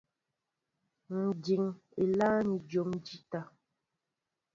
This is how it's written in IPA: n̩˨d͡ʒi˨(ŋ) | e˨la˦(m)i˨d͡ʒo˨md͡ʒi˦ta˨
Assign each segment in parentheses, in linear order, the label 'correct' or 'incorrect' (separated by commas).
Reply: correct, incorrect